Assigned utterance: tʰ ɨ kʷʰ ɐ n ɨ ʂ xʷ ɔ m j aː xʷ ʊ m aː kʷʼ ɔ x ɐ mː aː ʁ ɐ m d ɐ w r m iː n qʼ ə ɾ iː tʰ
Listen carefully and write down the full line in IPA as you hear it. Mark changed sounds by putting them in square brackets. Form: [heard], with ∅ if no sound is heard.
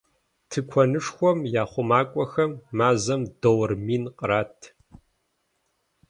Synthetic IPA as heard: tʰ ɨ kʷʰ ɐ n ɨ ʂ xʷ ɔ m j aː [χʷ] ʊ m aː kʷʼ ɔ x ɐ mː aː [z] ɐ m d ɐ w r m iː n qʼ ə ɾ [aː] tʰ